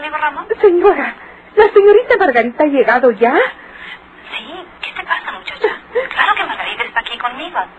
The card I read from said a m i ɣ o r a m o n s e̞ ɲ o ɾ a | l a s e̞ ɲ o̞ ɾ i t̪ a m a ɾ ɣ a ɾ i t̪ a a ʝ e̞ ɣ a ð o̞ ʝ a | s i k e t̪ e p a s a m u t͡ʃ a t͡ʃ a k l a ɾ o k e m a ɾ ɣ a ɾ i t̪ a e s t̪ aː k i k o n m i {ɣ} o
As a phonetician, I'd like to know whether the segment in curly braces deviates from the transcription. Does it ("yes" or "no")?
no